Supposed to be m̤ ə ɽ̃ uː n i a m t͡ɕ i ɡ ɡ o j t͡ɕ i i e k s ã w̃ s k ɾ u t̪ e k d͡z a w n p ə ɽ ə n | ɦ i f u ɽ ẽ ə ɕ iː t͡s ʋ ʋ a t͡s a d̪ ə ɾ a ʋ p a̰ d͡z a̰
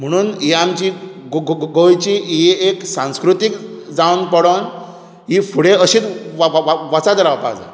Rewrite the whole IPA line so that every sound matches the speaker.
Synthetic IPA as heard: m̤ ə ɽ̃ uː n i a m t͡ɕ i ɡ ɡ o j t͡ɕ i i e k s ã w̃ s k ɾ u t̪ i k d͡z a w n p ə ɽ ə n | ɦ i f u ɽ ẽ ə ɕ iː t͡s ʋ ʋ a t͡s a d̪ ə ɾ a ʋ p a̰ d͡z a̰